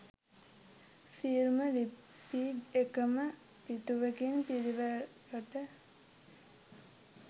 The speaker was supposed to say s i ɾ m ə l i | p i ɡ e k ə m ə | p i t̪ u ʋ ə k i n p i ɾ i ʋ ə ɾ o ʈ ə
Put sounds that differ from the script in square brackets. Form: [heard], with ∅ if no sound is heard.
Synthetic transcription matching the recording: s i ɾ m ə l i | p i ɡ e k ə m ə | p i t̪ u ʋ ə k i n p i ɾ i ʋ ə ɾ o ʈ ə